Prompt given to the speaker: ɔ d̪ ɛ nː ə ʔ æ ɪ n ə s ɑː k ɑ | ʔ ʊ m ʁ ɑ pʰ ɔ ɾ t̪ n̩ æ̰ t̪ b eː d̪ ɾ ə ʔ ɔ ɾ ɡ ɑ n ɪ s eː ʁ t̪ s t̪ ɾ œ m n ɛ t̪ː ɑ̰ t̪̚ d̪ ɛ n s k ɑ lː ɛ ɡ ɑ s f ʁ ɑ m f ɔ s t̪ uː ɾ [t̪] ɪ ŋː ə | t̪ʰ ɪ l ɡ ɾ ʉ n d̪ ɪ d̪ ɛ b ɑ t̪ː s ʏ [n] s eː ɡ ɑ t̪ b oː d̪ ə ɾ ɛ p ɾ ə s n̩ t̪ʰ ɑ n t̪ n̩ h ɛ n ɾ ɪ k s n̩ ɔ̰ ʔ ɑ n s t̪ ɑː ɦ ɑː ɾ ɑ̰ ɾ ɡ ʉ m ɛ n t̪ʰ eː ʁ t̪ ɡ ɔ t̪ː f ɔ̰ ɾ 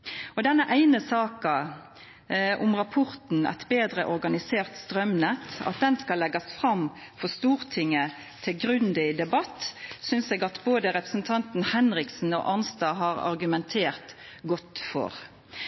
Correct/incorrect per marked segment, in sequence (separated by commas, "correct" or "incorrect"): incorrect, correct